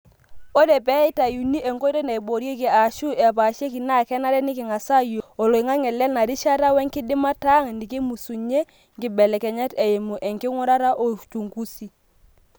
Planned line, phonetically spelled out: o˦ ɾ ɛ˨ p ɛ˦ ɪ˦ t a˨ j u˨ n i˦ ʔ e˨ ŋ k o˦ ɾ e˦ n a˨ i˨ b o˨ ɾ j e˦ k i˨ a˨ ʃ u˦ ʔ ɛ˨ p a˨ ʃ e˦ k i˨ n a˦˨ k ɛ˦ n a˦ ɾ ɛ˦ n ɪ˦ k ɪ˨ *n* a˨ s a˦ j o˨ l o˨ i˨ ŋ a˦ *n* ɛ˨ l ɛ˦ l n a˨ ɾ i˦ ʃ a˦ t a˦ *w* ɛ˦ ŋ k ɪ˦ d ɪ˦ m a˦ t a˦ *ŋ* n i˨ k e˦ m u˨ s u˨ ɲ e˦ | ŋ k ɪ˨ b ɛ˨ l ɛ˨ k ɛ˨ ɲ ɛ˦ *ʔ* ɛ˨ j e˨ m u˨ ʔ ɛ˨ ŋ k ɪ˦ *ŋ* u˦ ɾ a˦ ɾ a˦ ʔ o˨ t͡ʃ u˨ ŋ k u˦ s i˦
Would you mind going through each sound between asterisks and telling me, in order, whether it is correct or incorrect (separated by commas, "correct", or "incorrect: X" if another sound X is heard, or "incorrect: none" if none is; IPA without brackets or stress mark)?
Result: incorrect: ŋ, incorrect: ŋ, correct, correct, incorrect: t, correct